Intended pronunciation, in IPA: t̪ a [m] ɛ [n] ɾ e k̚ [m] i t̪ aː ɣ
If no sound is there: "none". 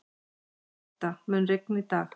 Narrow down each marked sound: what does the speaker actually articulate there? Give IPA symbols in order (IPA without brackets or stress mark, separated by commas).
m, n, n